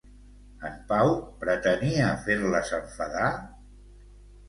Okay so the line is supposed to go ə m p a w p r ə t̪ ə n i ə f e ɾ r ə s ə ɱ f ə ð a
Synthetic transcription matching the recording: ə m p a w p ɾ ə t̪ ə n i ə f e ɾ l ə s ə ɱ f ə ð a